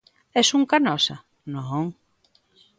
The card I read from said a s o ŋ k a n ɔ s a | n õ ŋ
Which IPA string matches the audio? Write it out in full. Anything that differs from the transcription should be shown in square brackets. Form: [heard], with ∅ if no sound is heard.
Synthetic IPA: [ɛ] s [u] ŋ k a n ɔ s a | n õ ŋ